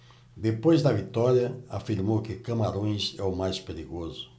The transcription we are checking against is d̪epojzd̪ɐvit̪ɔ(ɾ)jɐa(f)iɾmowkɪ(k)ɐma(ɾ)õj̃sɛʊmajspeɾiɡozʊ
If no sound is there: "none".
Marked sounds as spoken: ɾ, f, k, ɾ

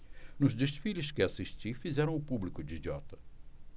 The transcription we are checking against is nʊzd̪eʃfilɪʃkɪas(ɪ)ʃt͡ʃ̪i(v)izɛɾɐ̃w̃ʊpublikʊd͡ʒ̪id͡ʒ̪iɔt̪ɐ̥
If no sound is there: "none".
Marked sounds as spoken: i, f

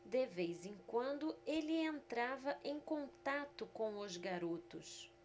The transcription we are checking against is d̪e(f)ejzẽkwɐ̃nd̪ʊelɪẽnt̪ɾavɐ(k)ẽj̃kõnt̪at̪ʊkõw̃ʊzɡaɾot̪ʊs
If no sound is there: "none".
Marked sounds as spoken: v, ʔ

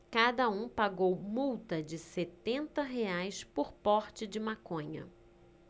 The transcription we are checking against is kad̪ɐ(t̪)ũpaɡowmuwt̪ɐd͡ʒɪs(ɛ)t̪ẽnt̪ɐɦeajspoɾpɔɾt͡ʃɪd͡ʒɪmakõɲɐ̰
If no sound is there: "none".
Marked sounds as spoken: none, e

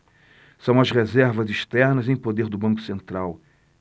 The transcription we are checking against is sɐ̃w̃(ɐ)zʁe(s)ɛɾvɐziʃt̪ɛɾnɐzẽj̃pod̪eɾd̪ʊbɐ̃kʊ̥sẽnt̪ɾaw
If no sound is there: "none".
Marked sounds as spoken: ɐ, z

